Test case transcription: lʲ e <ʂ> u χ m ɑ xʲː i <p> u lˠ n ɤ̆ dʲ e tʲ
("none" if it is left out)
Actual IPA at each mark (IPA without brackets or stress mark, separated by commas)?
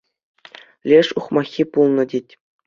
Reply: ʂ, p